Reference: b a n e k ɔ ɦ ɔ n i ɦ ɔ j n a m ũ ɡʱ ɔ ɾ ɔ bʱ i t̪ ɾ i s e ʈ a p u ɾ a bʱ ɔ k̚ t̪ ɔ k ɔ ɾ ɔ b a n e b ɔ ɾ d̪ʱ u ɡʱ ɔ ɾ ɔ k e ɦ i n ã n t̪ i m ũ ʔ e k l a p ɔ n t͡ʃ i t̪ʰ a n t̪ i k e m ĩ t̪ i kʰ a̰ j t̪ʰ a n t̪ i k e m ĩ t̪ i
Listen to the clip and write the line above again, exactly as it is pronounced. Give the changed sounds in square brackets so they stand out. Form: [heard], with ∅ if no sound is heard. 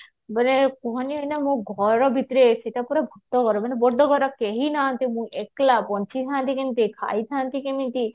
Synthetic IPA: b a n e k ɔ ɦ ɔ n i ɦ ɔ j n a m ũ ɡʱ ɔ ɾ ɔ bʱ i t̪ ɾ [e] s e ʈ a p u ɾ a bʱ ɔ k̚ t̪ ɔ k ɔ ɾ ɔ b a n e b ɔ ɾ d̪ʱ [ɔ] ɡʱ ɔ ɾ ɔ k e ɦ i n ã n t̪ i m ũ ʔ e k l a p ɔ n t͡ʃ i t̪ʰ a n t̪ i k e m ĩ t̪ i kʰ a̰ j t̪ʰ a n t̪ i k e m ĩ t̪ i